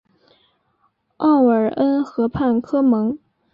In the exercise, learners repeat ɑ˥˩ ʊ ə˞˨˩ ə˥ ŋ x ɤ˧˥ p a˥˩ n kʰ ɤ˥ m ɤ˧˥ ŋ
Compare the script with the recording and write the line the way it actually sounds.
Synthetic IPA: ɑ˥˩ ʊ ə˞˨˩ ə˥ n x ɤ˧˥ pʰ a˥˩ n kʰ ɤ˥ m ɤ˧˥ ŋ